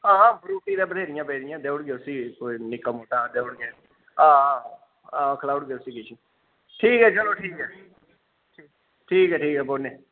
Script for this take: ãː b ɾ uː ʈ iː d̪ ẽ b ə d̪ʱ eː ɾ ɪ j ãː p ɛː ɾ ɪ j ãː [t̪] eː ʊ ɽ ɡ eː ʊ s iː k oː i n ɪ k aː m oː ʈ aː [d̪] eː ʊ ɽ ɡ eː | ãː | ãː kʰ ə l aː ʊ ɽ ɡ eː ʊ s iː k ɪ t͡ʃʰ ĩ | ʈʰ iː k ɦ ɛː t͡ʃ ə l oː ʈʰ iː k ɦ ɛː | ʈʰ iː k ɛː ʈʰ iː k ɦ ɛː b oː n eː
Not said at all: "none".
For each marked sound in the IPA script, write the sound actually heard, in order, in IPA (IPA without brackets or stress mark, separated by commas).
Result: d̪, d̪